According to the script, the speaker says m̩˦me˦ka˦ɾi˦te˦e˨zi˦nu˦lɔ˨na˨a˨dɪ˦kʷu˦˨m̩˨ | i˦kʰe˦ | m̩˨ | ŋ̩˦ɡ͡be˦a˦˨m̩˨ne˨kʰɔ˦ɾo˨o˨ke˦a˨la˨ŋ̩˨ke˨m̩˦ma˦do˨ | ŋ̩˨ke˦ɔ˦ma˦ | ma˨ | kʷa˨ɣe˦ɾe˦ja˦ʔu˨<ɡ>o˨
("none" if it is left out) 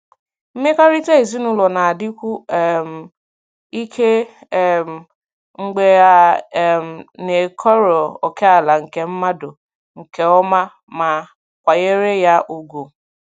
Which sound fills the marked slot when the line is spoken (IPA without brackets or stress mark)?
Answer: ɡ